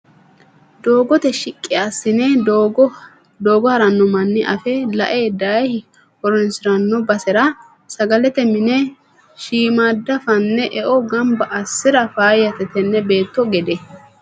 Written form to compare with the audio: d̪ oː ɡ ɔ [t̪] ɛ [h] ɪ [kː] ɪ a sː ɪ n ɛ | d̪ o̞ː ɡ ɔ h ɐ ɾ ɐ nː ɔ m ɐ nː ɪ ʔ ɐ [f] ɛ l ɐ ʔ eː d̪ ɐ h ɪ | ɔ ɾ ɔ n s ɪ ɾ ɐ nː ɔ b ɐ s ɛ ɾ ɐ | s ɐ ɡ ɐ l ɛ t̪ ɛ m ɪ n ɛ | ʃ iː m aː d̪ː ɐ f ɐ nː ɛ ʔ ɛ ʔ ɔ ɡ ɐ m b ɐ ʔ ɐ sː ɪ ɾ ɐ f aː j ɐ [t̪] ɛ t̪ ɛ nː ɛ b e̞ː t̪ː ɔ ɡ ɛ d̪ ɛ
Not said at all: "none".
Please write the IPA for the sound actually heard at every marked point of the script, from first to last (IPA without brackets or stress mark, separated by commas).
t̪, ʃ, kʼː, f, t̪